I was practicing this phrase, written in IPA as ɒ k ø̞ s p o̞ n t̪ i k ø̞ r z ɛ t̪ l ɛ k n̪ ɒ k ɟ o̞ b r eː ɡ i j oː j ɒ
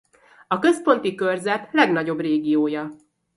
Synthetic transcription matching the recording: ɒ k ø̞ s p o̞ n t̪ i k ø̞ r z ɛ t̪ l ɛ ɡ n̪ ɒ ɟ o̞ b r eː ɡ i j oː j ɒ